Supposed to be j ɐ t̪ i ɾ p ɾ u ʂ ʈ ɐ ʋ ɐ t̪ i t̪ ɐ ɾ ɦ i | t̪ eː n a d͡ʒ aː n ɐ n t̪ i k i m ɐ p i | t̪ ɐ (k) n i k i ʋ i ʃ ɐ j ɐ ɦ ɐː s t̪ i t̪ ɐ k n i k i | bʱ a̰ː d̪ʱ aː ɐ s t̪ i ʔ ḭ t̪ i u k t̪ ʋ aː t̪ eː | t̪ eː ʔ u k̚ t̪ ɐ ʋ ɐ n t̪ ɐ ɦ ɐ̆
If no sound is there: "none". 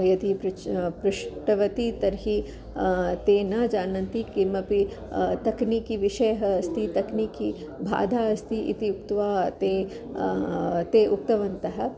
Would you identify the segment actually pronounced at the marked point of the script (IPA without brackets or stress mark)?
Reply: k